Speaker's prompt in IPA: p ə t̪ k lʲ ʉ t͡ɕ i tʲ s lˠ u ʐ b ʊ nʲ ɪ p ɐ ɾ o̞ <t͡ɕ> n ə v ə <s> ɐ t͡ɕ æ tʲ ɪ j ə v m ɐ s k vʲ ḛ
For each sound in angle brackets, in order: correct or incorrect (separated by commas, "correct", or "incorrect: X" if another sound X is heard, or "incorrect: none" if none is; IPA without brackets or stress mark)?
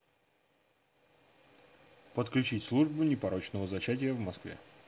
correct, incorrect: z